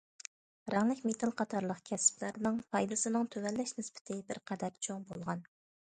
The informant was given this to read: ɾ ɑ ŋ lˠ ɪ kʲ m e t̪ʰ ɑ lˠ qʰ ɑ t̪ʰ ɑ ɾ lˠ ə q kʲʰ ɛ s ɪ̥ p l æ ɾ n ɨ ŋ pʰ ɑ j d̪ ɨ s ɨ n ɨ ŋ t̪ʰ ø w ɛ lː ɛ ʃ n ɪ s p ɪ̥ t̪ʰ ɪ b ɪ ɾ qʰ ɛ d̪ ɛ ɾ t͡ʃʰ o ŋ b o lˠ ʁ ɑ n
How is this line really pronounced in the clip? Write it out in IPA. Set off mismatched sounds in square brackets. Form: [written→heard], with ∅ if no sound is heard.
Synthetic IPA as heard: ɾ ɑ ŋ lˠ ɪ kʲ m e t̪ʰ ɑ lˠ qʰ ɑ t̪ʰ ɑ ɾ lˠ ə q kʲʰ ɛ s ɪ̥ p l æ ɾ n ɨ ŋ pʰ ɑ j d̪ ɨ s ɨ n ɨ ŋ t̪ʰ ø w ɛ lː ɛ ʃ n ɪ s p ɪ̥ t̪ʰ ɪ b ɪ ɾ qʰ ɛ d̪ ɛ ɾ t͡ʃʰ o ŋ b o lˠ ʁ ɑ n